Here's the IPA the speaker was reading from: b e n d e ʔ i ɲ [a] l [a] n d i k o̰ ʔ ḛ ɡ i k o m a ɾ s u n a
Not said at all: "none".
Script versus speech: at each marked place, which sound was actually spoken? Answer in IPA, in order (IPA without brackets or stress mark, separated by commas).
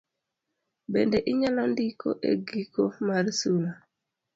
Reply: a, a